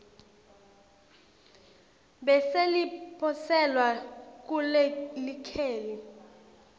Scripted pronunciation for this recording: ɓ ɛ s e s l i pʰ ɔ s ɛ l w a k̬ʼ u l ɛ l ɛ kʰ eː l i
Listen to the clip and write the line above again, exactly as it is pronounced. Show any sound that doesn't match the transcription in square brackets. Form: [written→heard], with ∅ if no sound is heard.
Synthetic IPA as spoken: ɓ ɛ s e [s→∅] l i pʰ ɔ s ɛ l w a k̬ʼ u l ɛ l [ɛ→i] kʰ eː l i